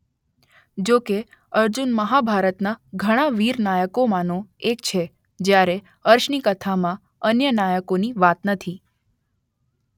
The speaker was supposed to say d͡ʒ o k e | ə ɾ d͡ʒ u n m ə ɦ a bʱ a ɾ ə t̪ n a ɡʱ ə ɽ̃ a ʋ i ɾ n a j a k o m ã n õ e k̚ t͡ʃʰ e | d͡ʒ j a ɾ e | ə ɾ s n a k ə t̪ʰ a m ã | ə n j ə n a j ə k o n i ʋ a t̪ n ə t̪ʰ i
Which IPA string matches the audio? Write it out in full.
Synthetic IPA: d͡ʒ o k e | ə ɾ d͡ʒ u n m ə ɦ a bʱ a ɾ ə t̪ n a ɡʱ ə ɽ̃ a ʋ i ɾ n a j ə k o m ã n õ e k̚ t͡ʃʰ e | d͡ʒ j a ɾ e | ə ɾ ʃ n i k ə t̪ʰ a m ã | ə n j ə n a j ə k o n i ʋ a t̪ n ə t̪ʰ i